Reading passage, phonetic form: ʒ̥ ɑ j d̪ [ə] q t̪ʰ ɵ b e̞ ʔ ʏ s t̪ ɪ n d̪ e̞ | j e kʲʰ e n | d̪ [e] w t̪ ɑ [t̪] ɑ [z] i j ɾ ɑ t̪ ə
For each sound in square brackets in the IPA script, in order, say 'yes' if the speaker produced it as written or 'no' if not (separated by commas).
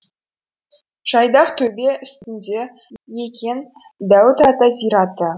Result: no, no, yes, yes